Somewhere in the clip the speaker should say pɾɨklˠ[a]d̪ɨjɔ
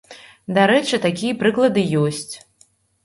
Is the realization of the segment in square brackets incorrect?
yes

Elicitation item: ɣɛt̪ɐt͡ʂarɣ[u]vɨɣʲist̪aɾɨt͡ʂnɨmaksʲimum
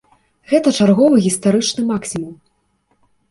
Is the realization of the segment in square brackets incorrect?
yes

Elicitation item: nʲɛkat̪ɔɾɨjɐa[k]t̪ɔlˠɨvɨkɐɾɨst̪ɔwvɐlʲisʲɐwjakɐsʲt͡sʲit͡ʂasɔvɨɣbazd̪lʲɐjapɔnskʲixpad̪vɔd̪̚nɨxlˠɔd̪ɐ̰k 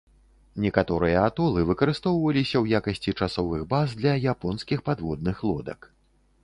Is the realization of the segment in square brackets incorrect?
yes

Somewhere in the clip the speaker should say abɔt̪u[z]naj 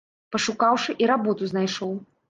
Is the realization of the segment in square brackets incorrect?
no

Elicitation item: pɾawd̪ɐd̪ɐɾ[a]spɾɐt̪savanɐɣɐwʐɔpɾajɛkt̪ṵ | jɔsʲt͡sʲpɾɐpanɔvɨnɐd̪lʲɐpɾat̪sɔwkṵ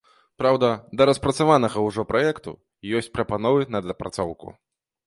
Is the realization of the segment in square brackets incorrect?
yes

